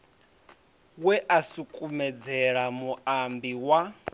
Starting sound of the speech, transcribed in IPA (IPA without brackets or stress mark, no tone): w